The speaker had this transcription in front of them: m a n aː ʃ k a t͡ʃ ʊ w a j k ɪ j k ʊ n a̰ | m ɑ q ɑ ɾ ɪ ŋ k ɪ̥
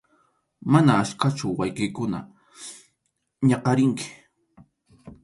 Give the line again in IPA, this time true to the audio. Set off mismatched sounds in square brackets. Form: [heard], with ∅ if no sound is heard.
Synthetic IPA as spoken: m a n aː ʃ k a t͡ʃ ʊ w a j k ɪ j k ʊ n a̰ | [ɲ] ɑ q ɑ ɾ ɪ ŋ k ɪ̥